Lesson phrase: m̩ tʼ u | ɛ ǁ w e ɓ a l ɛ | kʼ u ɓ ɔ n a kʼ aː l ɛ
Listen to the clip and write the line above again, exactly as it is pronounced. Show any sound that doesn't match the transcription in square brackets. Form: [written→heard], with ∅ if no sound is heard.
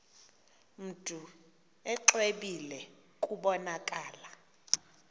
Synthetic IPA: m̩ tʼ u | ɛ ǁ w e ɓ [a→i] l ɛ | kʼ u ɓ ɔ n a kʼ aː l [ɛ→a]